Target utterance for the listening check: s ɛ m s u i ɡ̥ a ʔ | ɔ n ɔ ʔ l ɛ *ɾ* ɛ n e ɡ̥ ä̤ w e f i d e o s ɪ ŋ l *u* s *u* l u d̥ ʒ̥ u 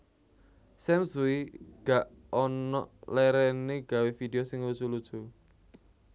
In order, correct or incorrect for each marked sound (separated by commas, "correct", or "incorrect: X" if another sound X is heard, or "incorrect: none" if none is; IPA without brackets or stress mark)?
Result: correct, correct, correct